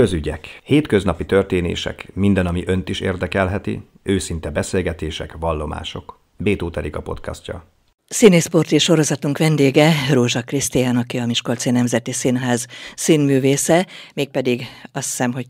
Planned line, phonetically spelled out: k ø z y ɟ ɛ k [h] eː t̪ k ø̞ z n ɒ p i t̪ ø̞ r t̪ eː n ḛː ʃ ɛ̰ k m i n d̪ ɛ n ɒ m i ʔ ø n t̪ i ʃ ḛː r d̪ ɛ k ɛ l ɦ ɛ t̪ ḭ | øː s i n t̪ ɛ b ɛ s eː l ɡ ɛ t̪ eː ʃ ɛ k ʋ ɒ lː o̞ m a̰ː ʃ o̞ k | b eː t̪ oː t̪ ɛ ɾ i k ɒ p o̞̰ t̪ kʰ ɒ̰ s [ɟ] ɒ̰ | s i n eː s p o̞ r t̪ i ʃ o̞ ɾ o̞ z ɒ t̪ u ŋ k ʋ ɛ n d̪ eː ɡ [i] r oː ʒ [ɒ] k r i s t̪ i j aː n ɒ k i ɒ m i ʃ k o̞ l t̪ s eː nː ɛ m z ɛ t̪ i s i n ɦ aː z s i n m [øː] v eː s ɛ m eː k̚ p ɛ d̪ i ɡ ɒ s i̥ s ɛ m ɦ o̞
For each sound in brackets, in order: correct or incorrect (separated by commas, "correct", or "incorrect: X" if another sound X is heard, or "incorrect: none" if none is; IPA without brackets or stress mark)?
correct, incorrect: c, incorrect: ɛ, correct, incorrect: yː